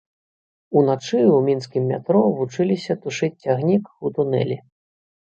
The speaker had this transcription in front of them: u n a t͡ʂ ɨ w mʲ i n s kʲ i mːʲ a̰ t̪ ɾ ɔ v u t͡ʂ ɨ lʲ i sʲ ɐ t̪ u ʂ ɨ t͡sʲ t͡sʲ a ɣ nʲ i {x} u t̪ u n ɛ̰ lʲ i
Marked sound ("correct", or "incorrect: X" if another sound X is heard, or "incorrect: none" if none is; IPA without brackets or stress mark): incorrect: k